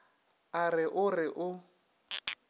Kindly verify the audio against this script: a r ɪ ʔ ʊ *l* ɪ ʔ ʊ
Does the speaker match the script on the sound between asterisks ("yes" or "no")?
no